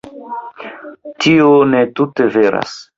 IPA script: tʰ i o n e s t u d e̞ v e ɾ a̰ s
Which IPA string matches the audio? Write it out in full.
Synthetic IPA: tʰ i o n e t u t e̞ v e ɾ a̰ s